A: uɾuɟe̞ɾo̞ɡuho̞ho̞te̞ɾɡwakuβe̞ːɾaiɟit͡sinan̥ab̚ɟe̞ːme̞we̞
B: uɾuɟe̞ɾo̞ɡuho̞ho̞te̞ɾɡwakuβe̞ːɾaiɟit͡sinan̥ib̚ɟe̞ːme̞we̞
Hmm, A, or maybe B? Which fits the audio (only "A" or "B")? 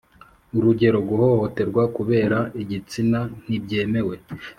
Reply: B